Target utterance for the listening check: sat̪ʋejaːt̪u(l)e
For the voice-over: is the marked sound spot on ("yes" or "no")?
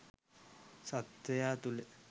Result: yes